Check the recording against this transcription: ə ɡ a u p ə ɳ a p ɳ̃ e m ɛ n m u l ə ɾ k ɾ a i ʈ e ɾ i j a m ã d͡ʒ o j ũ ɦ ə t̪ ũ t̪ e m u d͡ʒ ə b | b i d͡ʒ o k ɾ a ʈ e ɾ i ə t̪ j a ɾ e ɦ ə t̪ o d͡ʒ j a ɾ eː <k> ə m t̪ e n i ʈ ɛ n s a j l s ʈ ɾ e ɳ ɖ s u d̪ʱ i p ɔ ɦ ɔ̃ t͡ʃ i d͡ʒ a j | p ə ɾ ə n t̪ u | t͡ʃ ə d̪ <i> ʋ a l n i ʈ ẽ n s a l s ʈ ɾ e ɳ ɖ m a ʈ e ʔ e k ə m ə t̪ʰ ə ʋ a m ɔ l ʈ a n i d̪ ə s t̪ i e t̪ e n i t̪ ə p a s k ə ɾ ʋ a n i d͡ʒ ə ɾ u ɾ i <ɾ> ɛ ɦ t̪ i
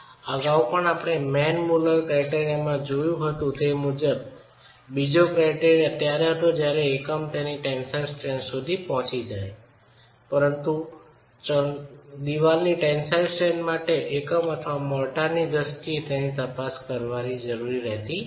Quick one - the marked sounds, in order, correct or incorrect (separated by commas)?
correct, correct, correct